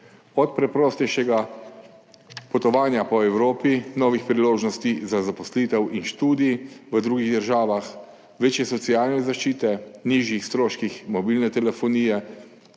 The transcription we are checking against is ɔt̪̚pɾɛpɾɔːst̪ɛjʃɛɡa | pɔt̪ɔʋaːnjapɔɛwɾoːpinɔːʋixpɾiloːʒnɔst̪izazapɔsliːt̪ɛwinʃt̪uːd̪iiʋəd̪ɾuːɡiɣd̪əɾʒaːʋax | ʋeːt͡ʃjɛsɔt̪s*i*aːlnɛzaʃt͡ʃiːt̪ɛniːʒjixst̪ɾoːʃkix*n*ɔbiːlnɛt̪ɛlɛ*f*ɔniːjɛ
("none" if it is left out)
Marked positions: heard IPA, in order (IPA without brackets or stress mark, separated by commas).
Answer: i, m, f